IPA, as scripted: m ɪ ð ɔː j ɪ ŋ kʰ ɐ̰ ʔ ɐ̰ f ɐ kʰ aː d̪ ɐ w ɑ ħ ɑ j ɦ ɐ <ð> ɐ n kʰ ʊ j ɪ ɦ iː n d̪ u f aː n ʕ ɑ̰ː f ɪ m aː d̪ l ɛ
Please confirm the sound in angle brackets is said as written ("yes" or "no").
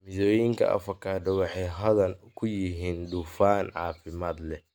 yes